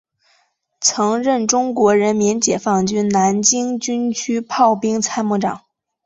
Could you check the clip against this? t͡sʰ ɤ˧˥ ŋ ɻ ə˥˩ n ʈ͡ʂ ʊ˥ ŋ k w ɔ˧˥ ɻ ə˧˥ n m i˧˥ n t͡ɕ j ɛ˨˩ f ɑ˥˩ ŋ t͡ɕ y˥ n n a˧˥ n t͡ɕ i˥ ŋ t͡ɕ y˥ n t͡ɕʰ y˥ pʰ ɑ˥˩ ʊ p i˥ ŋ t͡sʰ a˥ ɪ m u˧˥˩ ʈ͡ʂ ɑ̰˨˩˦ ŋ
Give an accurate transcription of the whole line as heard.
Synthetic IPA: t͡sʰ ɤ˧˥ ŋ ɻ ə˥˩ n ʈ͡ʂ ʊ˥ ŋ k w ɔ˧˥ ɻ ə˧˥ n m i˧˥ n t͡ɕ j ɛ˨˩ f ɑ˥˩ ŋ t͡ɕ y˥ n n a˧˥ n t͡ɕ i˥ ŋ t͡ɕ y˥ n t͡ɕʰ y˥ pʰ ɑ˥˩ ʊ p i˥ ŋ t͡sʰ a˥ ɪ m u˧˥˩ ʈ͡ʂ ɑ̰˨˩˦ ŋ

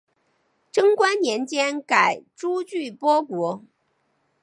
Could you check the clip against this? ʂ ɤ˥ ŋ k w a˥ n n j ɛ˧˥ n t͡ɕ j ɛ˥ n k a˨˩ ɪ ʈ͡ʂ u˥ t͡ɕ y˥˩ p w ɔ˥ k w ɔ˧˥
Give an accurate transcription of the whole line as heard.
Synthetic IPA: ʈ͡ʂ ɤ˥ ŋ k w a˥ n n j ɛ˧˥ n t͡ɕ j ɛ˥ n k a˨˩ ɪ ʈ͡ʂ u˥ t͡ɕ y˥˩ p w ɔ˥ k w ɔ˧˥

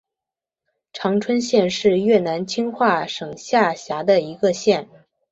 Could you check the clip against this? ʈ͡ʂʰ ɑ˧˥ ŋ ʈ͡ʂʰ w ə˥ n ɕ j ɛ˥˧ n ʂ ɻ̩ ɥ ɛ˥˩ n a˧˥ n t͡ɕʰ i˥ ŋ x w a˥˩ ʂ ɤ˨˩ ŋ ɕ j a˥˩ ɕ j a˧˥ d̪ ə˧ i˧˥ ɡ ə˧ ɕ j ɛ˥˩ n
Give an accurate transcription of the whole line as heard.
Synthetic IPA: ʈ͡ʂʰ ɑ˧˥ ŋ ʈ͡ʂʰ w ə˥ n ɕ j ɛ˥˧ n ʂ ɻ̩ ɥ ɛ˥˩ n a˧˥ n t͡ɕʰ i˥ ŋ x w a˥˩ ʂ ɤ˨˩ ŋ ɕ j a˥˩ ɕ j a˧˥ d̪ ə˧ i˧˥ ɡ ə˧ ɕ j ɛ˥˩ n

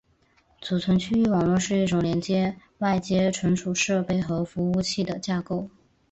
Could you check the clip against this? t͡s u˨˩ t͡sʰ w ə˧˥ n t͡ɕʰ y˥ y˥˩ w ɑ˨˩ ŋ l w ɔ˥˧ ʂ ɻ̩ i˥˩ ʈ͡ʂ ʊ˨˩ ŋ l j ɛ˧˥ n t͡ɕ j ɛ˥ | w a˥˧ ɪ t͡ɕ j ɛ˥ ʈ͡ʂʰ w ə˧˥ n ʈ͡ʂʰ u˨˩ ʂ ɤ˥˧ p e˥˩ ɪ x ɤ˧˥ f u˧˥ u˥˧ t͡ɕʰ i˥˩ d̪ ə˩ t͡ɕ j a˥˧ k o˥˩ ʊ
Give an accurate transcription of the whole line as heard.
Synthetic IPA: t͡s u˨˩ t͡sʰ w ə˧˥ n t͡ɕʰ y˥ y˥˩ w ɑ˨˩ ŋ l w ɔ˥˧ ʂ ɻ̩ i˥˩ ʈ͡ʂ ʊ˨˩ ŋ l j ɛ˧˥ n t͡ɕ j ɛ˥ | w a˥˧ ɪ t͡ɕ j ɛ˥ ʈ͡ʂʰ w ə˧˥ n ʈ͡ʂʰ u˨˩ ʂ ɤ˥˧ p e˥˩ ɪ x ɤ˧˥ f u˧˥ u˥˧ t͡ɕʰ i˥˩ d̪ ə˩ t͡ɕ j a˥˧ k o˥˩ ʊ

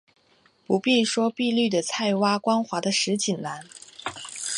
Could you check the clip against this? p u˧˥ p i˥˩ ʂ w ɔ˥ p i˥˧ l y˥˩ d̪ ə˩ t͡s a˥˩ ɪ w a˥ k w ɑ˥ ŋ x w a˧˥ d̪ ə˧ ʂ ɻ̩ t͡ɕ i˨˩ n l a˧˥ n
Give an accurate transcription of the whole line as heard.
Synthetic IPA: p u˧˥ p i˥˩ ʂ w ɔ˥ p i˥˧ l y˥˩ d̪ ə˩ t͡sʰ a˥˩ ɪ w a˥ k w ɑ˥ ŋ x w a˧˥ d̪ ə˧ ʂ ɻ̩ t͡ɕ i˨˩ n l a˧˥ n

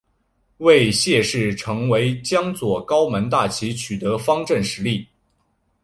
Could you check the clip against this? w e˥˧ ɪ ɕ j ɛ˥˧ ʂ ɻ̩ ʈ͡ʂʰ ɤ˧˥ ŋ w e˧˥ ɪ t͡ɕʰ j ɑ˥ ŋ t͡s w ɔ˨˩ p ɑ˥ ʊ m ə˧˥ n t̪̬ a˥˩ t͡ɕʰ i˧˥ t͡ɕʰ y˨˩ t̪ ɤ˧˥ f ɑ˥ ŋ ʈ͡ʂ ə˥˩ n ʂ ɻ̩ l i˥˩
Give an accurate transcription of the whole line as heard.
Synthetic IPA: w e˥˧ ɪ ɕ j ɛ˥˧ ʂ ɻ̩ ʈ͡ʂʰ ɤ˧˥ ŋ w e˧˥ ɪ t͡ɕ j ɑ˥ ŋ t͡s w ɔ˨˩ k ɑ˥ ʊ m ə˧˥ n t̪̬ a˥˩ t͡ɕʰ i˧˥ t͡ɕʰ y˨˩ t̪ ɤ˧˥ f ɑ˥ ŋ ʈ͡ʂ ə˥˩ n ʂ ɻ̩ l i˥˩

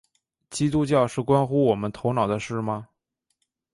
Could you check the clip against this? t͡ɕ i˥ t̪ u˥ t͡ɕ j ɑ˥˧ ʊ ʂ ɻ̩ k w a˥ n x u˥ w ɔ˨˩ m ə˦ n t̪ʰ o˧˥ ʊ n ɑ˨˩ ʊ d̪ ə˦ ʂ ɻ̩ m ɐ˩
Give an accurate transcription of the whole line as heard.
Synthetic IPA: t͡ɕ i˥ t̪ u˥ t͡ɕ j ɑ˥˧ ʊ ʂ ɻ̩ k w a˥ n x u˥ w ɔ˨˩ m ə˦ n t̪ʰ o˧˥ ʊ n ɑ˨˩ ʊ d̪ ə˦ ʂ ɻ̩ m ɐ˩

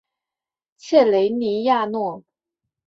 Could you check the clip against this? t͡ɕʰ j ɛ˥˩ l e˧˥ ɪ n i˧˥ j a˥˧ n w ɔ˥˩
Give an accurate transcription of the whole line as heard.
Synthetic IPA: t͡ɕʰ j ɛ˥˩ l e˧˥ ɪ n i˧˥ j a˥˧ n w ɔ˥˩

